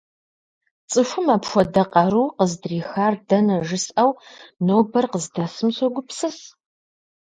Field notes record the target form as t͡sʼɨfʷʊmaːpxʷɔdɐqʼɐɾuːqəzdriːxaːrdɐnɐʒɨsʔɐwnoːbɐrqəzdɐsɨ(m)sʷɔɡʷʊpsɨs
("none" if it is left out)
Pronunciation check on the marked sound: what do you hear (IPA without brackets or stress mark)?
m